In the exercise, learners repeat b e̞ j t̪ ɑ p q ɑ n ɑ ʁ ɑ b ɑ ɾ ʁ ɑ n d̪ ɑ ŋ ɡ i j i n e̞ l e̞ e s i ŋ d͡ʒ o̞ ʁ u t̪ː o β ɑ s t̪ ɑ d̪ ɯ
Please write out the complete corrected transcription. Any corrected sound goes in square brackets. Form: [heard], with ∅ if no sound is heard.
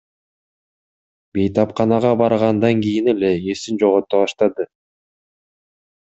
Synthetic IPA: b e̞ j t̪ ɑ p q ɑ n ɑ ʁ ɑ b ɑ ɾ ʁ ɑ n d̪ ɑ ŋ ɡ i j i n e̞ l e̞ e s i [n] d͡ʒ o̞ ʁ [o] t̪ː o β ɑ [ʃ] t̪ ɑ d̪ ɯ